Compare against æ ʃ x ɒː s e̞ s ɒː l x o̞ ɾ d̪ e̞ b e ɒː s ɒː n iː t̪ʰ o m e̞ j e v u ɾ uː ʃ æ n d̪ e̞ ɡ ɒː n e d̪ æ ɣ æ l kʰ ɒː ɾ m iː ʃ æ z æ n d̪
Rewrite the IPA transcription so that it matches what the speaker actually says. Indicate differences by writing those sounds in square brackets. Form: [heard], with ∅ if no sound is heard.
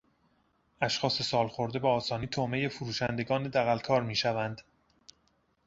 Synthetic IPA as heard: æ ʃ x ɒː s e̞ s ɒː l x o̞ ɾ d̪ e̞ b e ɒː s ɒː n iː t̪ʰ o m e̞ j e [f] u ɾ uː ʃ æ n d̪ e̞ ɡ ɒː n e d̪ æ ɣ æ l kʰ ɒː ɾ m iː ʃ æ [v] æ n d̪